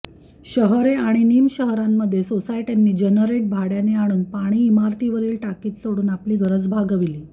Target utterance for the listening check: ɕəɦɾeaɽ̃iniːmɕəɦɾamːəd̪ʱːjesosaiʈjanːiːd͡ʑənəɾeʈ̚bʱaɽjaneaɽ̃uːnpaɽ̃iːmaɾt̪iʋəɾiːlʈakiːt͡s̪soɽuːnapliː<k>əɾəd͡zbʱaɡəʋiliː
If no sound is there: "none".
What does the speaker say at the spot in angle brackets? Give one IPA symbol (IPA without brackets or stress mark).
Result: ɡ